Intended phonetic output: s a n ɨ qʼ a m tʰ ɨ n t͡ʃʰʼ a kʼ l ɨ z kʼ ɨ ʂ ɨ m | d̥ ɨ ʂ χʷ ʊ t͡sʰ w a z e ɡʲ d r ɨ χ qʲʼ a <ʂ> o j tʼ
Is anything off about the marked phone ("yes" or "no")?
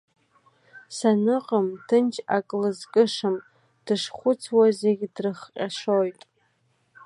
no